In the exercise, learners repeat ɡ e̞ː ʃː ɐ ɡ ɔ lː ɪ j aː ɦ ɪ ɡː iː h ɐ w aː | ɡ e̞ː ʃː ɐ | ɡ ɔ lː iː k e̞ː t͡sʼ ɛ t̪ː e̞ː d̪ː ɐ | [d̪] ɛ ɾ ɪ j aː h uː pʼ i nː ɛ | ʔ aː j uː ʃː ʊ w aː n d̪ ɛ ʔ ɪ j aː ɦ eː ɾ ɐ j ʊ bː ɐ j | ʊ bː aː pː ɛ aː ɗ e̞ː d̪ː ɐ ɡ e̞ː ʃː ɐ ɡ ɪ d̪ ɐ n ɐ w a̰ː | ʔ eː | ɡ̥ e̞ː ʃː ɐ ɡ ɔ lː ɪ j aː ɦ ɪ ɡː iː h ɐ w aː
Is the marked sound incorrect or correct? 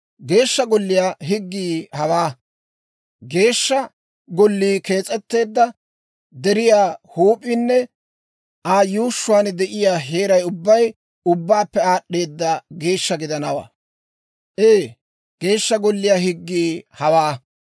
correct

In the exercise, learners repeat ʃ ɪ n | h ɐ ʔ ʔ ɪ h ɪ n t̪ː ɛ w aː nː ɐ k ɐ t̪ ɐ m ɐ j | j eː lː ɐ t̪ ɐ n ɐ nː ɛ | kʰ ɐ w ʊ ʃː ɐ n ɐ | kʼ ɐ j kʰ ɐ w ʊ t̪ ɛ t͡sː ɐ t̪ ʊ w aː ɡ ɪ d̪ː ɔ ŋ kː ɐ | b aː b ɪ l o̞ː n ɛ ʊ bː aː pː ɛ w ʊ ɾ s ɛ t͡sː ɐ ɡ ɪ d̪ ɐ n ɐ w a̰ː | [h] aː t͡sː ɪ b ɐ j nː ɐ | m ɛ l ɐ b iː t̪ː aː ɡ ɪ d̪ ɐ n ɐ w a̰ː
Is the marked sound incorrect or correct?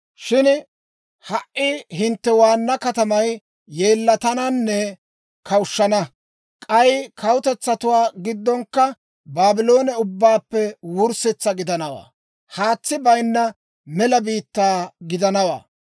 correct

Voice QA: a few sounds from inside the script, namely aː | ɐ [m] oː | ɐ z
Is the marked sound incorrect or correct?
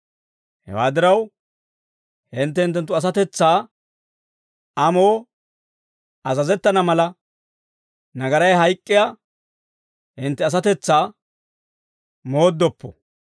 correct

